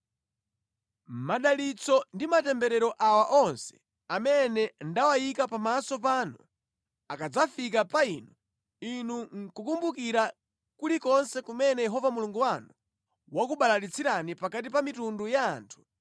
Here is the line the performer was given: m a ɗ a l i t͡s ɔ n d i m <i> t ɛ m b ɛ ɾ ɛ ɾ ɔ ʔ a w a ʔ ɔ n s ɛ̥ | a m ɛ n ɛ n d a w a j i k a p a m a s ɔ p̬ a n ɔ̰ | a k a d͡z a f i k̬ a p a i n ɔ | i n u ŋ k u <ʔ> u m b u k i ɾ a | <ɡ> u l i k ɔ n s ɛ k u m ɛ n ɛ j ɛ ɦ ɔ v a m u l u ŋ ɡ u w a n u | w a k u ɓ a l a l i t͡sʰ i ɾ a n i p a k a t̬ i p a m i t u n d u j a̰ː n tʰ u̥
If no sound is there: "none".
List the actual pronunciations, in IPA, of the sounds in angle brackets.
a, k, k

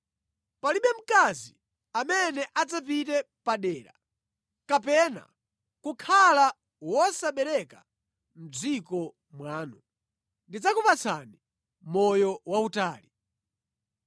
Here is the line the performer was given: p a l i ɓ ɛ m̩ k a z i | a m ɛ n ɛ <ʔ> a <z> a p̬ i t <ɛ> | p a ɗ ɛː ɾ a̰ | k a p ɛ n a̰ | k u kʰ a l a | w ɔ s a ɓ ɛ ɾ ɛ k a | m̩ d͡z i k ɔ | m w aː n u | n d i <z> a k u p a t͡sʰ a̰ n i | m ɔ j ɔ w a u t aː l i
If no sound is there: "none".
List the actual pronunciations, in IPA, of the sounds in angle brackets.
ʔ, d͡z, ɛ, d͡z

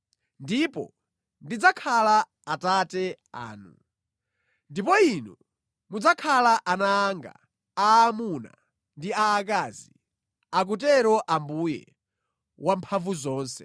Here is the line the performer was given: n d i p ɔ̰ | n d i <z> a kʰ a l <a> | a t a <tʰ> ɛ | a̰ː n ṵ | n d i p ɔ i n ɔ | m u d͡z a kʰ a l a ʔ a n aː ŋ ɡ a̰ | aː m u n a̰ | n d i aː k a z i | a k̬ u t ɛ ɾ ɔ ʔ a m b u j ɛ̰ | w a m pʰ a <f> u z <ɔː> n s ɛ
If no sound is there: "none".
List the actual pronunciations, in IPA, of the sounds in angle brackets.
d͡z, a, t, v, ɔː

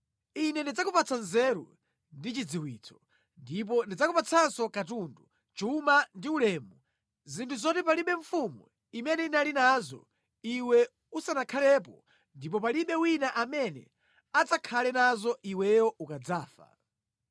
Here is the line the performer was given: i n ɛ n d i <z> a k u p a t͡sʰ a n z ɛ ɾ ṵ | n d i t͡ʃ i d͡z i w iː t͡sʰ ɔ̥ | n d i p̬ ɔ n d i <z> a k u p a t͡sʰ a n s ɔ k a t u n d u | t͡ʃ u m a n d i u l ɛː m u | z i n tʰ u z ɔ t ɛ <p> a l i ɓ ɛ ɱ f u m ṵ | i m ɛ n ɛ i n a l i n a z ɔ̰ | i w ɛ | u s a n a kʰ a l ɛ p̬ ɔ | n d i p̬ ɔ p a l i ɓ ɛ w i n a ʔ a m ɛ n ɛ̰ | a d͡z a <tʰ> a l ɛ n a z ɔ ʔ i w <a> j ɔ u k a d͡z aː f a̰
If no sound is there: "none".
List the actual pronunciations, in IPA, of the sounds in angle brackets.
d͡z, d͡z, p, kʰ, ɛ

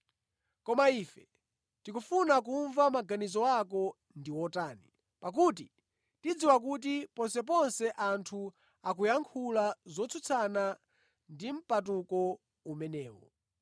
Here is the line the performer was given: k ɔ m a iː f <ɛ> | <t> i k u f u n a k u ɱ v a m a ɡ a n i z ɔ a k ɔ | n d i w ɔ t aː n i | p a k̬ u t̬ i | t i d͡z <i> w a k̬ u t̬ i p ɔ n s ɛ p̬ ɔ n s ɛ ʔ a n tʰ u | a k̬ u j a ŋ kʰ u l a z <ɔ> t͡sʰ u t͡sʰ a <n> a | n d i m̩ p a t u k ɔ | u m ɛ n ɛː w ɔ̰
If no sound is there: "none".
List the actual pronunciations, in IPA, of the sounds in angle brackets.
ɛ, t, i, ɔ, n

